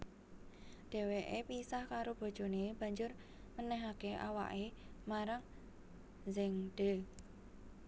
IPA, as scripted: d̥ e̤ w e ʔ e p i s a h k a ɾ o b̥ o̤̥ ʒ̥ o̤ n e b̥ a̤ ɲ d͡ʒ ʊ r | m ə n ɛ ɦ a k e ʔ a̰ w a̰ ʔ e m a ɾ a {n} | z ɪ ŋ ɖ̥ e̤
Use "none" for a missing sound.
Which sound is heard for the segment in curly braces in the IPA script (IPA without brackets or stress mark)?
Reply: ŋ